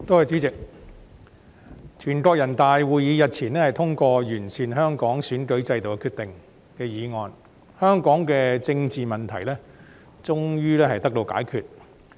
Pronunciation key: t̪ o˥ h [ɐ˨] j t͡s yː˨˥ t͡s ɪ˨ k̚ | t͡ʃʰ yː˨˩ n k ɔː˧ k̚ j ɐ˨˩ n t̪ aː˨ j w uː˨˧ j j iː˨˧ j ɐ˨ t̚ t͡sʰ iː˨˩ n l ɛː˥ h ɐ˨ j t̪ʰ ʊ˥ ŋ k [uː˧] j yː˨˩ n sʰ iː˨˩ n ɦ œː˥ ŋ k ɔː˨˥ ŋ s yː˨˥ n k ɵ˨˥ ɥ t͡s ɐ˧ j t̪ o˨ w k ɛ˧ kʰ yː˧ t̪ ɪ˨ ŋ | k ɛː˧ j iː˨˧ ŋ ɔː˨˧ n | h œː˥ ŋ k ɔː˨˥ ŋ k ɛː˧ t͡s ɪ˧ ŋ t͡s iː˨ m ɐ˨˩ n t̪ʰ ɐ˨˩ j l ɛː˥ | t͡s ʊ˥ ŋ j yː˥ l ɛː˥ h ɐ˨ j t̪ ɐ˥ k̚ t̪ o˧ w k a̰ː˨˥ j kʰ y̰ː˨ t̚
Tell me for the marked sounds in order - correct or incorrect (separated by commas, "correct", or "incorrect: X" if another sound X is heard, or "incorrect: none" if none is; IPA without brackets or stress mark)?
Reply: correct, incorrect: ɔː˧